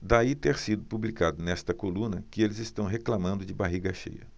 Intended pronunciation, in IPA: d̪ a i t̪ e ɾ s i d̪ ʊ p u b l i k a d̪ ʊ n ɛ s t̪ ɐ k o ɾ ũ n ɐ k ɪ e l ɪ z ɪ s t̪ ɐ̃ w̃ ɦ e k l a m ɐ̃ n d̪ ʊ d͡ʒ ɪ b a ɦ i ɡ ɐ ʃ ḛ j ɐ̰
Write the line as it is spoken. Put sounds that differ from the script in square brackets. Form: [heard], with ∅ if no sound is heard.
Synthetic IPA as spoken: d̪ a i t̪ e ɾ s i d̪ ʊ p u b l i k a d̪ ʊ n ɛ s t̪ ɐ k o [l] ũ n ɐ k ɪ e l ɪ z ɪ s t̪ ɐ̃ w̃ ɦ e k l a m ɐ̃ n d̪ ʊ d͡ʒ ɪ b a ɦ i ɡ ɐ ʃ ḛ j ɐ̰